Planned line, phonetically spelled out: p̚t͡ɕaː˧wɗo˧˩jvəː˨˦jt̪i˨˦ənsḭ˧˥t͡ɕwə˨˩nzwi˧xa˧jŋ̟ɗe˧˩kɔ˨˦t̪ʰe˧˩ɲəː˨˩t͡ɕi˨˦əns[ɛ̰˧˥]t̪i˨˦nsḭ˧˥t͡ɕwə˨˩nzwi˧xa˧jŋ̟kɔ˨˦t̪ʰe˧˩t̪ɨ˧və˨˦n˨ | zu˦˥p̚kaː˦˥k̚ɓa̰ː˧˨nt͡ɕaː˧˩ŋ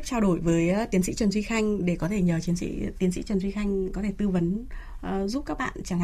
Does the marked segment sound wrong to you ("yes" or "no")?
yes